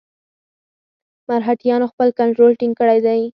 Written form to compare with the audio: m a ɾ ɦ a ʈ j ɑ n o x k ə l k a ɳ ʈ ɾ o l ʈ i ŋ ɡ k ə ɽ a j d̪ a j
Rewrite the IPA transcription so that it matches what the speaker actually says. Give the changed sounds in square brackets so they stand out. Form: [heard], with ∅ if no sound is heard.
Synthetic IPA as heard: m a ɾ ɦ a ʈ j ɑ n o x [p] ə l k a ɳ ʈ ɾ o l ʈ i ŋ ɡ k ə ɽ a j d̪ a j